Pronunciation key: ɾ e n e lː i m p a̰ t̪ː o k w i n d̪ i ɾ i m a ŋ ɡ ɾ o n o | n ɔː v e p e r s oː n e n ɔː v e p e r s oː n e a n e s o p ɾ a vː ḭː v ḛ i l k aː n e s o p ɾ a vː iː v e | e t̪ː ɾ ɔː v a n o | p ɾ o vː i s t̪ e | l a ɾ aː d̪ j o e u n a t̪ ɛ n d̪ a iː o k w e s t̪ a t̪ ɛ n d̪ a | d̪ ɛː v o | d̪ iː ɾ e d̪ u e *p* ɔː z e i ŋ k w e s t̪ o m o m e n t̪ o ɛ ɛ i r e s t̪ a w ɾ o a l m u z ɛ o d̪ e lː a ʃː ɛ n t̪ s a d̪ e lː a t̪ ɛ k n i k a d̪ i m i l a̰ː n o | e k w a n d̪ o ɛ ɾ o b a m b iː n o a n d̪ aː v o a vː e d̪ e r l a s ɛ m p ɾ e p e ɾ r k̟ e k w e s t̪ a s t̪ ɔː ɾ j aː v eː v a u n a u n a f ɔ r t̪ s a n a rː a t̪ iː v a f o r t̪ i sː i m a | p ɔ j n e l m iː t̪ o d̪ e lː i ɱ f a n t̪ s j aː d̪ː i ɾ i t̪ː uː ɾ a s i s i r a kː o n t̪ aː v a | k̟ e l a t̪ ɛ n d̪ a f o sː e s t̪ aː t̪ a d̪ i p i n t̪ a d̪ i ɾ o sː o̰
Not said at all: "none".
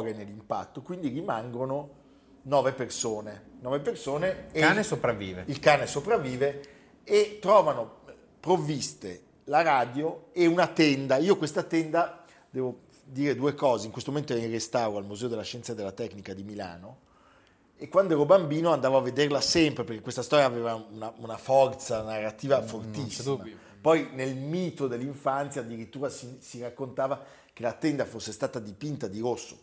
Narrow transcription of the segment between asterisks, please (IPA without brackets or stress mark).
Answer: k